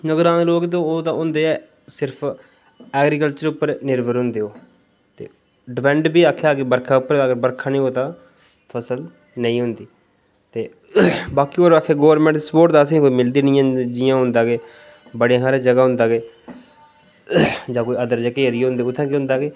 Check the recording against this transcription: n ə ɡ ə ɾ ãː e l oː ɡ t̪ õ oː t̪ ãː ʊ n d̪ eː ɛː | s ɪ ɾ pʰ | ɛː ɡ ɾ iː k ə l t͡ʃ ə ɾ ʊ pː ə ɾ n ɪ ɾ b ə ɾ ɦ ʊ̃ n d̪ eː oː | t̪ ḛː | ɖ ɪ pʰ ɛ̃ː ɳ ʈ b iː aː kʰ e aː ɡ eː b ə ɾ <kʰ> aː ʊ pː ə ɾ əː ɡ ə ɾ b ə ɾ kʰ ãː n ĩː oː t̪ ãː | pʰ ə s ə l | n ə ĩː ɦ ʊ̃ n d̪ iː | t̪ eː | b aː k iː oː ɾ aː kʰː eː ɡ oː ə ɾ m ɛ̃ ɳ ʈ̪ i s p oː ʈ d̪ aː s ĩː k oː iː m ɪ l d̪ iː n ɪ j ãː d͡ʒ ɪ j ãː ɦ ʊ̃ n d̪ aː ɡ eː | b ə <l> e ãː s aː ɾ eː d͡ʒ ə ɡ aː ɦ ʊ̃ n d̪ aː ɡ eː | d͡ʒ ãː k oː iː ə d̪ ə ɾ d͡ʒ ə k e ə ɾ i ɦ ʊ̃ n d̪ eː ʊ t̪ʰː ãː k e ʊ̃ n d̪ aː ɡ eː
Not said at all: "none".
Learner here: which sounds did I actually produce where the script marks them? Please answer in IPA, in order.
kʰ, ɽ

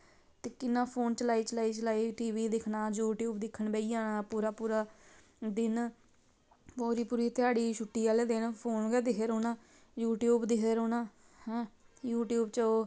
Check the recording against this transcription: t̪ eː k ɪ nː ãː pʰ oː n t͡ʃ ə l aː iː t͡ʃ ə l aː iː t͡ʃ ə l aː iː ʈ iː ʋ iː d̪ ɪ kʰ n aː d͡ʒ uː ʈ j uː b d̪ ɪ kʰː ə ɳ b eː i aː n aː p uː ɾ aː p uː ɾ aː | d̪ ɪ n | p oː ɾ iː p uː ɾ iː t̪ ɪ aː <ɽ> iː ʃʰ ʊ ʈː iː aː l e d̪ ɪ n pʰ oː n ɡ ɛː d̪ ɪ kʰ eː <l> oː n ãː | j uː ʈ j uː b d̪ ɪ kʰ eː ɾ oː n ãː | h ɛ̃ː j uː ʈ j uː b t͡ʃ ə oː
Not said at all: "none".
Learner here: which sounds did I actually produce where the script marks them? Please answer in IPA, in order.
ɽ, ɾ

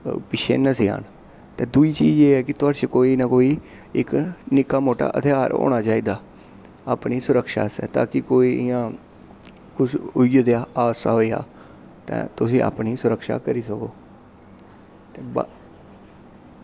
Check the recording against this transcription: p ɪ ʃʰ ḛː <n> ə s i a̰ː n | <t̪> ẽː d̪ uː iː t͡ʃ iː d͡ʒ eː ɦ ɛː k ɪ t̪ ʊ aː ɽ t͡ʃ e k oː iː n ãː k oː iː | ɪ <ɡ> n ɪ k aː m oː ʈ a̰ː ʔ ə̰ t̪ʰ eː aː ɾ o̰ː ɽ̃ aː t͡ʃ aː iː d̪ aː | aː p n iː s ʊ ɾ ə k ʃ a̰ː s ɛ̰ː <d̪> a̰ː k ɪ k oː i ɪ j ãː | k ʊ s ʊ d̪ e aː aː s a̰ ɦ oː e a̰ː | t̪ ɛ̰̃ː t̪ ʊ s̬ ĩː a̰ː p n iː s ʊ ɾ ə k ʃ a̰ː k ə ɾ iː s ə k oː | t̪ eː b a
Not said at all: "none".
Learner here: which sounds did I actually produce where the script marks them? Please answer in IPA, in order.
n, t̪, k, t̪

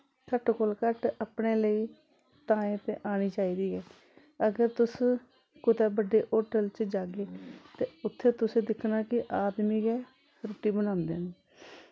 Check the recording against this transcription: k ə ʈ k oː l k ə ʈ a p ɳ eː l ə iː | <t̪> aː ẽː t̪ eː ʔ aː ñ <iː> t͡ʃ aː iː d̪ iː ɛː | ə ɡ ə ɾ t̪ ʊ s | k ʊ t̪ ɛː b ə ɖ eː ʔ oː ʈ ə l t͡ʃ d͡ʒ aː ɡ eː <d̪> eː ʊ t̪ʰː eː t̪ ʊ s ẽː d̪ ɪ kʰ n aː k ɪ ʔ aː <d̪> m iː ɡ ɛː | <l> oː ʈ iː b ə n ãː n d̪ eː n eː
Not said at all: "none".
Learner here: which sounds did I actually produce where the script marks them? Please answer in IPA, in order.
t̪, iː, t̪, d̪, ɾ

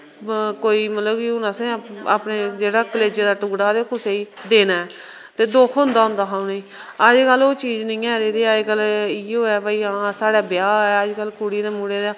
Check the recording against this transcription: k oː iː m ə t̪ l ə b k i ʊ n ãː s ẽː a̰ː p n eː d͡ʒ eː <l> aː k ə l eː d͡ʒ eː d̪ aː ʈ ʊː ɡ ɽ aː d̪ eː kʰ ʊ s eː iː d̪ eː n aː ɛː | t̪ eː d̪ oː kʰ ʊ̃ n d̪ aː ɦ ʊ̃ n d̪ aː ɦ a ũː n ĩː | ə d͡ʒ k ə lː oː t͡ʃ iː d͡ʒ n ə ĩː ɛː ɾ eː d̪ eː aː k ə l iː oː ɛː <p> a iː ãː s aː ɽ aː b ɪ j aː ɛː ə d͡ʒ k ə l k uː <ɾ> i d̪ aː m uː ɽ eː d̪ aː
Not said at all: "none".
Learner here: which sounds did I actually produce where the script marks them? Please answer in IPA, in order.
ɽ, b, ɽ

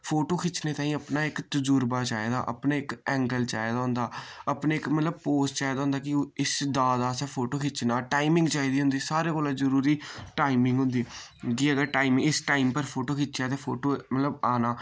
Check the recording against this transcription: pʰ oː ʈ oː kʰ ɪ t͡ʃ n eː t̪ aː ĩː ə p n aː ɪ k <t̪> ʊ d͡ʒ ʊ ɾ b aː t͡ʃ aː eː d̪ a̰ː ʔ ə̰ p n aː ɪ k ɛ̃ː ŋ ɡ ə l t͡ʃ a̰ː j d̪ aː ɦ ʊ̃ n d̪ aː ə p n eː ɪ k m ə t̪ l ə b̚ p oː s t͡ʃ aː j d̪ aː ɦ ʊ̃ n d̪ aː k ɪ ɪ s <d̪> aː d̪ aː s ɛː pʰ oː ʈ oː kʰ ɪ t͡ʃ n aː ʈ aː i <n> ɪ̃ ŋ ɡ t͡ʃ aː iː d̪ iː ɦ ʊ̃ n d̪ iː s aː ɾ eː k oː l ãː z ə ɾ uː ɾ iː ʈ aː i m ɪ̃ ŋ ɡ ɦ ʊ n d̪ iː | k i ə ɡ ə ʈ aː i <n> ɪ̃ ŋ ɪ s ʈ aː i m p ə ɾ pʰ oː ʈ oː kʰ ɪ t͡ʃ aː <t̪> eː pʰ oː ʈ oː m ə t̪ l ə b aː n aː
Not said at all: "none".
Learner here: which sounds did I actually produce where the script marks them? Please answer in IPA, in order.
t̪, d̪, m, m, t̪

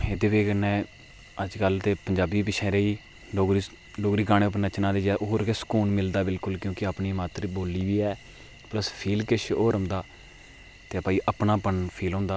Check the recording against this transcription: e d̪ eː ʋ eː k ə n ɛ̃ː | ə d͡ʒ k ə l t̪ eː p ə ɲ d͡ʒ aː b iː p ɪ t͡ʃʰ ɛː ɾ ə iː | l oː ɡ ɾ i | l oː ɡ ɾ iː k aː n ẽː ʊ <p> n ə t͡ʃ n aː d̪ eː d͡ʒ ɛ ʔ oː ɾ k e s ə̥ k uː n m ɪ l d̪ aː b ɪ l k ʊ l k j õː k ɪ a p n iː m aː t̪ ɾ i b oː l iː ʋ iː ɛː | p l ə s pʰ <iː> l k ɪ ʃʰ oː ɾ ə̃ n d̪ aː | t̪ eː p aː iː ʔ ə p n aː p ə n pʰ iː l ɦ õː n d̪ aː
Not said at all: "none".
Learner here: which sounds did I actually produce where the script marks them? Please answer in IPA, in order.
p, iː

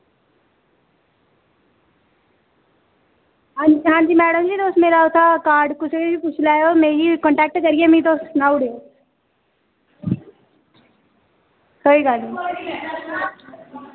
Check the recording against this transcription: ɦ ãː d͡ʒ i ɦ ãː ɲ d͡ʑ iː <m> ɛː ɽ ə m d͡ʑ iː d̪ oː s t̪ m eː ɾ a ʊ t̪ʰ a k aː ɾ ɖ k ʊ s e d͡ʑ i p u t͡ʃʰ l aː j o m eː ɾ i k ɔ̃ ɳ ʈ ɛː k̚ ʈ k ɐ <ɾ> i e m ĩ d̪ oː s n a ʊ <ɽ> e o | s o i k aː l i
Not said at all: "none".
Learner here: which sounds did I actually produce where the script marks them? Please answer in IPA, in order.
m, ɾ, ɽ

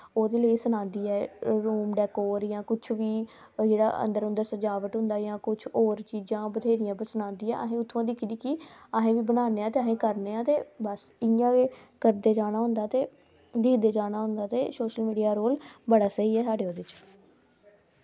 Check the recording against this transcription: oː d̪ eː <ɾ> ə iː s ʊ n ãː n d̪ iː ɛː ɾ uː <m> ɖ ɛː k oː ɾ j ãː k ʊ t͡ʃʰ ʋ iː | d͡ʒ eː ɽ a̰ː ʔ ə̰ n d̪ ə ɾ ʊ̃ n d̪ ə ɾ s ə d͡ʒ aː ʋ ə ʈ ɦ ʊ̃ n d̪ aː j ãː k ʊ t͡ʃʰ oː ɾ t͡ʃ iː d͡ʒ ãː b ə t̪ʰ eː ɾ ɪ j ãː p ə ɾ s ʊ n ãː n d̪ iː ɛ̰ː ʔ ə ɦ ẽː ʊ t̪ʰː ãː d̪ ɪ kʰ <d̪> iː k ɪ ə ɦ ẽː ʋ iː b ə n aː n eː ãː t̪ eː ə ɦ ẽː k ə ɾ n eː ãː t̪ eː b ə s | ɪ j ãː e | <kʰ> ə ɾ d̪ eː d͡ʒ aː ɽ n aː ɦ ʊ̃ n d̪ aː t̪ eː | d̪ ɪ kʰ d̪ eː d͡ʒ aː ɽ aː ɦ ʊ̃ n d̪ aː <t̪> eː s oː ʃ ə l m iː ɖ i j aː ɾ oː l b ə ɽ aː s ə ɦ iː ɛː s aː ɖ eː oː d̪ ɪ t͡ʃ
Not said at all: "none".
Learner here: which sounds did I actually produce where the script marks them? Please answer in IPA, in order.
l, m, d̪, k, t̪

